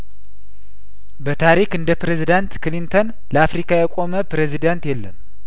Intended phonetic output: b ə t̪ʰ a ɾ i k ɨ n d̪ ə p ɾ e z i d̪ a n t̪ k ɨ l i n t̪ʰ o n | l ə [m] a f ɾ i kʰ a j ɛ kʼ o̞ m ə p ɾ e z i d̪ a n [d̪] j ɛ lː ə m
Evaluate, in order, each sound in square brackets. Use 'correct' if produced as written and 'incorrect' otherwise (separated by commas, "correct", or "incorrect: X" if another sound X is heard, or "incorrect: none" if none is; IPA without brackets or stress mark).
incorrect: none, incorrect: t̪